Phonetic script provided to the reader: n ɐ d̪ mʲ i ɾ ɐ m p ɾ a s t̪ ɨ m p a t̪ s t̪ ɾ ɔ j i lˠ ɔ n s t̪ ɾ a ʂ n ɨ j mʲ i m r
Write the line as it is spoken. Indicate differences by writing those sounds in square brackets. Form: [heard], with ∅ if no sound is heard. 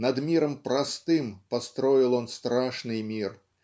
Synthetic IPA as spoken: n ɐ d̪ mʲ i ɾ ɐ m p ɾ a s t̪ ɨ m p a [∅] s t̪ ɾ ɔ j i lˠ ɔ n s t̪ ɾ a ʂ n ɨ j mʲ i [∅] r

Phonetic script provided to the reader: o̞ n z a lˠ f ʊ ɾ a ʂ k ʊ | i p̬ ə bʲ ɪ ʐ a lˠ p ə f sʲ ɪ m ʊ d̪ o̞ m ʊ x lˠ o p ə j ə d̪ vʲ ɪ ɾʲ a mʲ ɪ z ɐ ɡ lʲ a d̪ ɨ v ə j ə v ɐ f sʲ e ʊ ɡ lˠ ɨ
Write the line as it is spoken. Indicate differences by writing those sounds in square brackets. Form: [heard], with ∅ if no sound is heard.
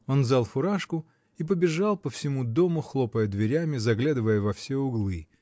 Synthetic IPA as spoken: o̞ n z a lˠ f ʊ ɾ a ʂ k ʊ | i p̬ ə bʲ ɪ ʐ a lˠ p ə f sʲ ɪ m [u] d̪ o̞ m ʊ x lˠ o p ə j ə d̪ vʲ ɪ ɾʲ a mʲ ɪ z ɐ ɡ lʲ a d̪ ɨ v ə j ə v ɐ f sʲ e ʊ ɡ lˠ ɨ

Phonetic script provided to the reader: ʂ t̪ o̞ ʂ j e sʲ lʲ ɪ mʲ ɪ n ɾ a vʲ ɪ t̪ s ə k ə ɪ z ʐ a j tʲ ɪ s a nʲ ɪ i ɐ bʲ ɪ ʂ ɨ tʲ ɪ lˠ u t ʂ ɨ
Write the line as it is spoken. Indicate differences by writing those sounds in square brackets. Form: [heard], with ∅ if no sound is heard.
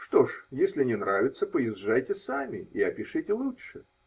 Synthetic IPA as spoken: ʂ t̪ o̞ ʂ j e sʲ lʲ ɪ [nʲ] ɪ n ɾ a vʲ ɪ t̪ s ə [p] ə ɪ z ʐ a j tʲ ɪ s a [mʲ] ɪ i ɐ [pʲ] ɪ ʂ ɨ tʲ ɪ lˠ u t ʂ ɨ

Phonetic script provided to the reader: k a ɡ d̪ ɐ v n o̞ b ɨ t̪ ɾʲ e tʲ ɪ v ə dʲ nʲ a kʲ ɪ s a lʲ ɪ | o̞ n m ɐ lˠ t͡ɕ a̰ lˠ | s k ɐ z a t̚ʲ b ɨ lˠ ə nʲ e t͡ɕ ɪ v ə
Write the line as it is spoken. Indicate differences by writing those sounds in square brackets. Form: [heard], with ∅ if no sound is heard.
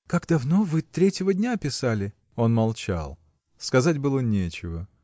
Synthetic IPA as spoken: k a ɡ d̪ ɐ v n o̞ [v] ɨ t̪ ɾʲ e tʲ ɪ v ə dʲ nʲ a [pʲ] ɪ s a lʲ ɪ | o̞ n m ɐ lˠ t͡ɕ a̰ lˠ | s k ɐ z a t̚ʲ b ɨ lˠ ə nʲ e t͡ɕ ɪ v ə

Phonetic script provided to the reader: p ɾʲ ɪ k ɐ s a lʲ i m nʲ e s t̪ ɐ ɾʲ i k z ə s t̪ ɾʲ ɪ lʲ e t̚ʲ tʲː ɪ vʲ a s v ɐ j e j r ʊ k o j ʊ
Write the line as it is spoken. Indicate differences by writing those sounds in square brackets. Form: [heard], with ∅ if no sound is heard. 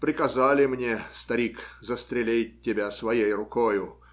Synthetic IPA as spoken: p ɾʲ ɪ k ɐ [z] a lʲ [ɪ] m nʲ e s t̪ ɐ ɾʲ i k z ə s t̪ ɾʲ ɪ lʲ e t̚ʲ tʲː ɪ [bʲ] a s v ɐ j e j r ʊ k o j ʊ

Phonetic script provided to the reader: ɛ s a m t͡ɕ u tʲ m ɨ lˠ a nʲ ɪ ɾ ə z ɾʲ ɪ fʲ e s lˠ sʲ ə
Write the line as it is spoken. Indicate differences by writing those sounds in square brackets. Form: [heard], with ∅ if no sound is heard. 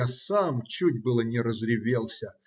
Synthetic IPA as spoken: [a] s a m t͡ɕ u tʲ [b] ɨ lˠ [ə] nʲ ɪ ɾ ə z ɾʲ ɪ [vʲ] e [∅] lˠ sʲ ə

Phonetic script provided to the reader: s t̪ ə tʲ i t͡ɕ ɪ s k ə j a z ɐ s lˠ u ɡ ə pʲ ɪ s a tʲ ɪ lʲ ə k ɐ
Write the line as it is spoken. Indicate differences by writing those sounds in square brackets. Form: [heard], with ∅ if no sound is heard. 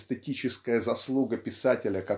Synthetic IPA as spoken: s t̪ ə tʲ i t͡ɕ ɪ s k ə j [ə] z ɐ s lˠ u ɡ ə pʲ ɪ s a tʲ ɪ lʲ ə k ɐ

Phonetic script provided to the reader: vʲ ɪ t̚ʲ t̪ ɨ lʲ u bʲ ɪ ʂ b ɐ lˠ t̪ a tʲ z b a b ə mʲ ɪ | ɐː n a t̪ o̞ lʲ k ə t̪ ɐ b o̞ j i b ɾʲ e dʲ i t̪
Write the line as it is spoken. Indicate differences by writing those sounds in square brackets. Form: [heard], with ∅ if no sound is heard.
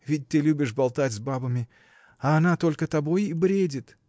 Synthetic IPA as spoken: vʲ ɪ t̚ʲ t̪ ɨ lʲ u bʲ ɪ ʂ b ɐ lˠ t̪ a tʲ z b a b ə mʲ ɪ | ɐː n a t̪ o̞ lʲ k ə t̪ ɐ b o̞ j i b ɾʲ e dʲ [ɪ] t̪

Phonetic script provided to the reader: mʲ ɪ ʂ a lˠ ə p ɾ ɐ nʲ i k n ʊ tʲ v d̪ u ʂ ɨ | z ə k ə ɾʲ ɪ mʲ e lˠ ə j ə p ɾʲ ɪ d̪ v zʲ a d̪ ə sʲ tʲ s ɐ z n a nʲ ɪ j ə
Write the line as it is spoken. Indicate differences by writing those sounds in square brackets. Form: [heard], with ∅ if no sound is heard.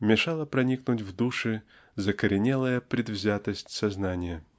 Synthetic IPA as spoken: mʲ ɪ ʂ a lˠ ə p ɾ ɐ nʲ i k n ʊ tʲ v d̪ u ʂ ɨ | z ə k ə ɾʲ ɪ [nʲ] e lˠ ə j ə p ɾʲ ɪ d̪ v zʲ a [t̪] ə sʲ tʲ s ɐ z n a nʲ ɪ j ə

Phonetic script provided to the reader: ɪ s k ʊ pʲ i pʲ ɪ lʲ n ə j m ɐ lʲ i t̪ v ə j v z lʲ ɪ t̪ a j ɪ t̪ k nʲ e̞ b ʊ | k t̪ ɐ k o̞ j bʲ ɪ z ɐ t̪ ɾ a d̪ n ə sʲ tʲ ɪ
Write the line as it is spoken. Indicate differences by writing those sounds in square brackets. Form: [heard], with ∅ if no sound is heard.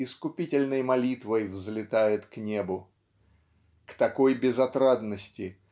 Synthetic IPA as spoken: ɪ s k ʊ pʲ i [tʲ] ɪ lʲ n ə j m ɐ lʲ i t̪ v ə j v z lʲ ɪ t̪ a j ɪ t̪ k nʲ e̞ b ʊ | k t̪ ɐ k o̞ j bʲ ɪ z ɐ t̪ ɾ a d̪ n ə sʲ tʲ ɪ

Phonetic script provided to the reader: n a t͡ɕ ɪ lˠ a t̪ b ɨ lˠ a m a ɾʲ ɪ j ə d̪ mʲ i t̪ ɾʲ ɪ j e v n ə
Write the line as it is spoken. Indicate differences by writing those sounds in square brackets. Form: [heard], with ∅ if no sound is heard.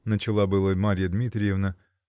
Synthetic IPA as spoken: n [ə] t͡ɕ ɪ lˠ a [∅] b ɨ lˠ [ə] m a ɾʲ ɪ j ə d̪ mʲ i t̪ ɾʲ ɪ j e v n ə

